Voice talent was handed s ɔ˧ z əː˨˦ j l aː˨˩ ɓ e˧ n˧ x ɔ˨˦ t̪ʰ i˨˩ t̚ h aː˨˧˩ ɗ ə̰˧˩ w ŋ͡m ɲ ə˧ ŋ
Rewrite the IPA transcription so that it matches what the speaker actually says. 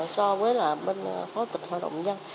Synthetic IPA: s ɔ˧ v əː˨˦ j l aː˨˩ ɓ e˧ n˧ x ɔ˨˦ t̪ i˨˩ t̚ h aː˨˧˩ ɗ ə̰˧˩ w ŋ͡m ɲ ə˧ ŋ